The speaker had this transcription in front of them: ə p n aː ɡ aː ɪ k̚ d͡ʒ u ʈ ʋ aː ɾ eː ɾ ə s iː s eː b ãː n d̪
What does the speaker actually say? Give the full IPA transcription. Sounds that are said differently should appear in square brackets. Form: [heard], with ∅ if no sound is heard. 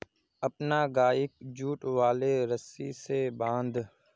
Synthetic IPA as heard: ə p n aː ɡ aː ɪ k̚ d͡ʒ [uː] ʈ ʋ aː [l] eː ɾ ə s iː s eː b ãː n d̪